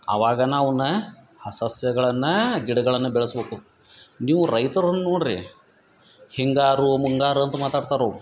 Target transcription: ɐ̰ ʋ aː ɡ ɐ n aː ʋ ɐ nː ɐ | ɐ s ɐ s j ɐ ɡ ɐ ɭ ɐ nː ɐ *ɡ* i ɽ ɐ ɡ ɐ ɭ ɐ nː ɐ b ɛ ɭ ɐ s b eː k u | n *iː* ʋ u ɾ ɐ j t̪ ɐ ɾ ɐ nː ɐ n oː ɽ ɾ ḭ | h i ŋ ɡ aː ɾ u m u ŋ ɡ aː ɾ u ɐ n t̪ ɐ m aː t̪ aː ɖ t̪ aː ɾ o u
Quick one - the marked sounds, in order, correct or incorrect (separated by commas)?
correct, correct